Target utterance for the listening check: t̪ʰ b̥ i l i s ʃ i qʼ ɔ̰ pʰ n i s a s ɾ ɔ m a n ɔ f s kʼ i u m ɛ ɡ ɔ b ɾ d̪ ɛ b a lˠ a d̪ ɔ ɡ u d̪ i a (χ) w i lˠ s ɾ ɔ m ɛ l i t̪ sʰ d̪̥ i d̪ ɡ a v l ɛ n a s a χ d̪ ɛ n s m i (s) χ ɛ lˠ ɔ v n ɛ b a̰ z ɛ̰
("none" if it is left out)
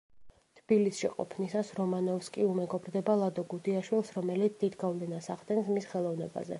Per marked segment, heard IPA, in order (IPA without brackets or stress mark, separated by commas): ʃ, s